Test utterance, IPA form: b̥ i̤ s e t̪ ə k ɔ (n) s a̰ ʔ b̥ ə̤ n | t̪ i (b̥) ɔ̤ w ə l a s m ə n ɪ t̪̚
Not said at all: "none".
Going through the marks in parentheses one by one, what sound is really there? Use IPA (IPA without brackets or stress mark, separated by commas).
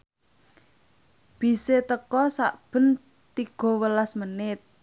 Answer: none, ɡ̥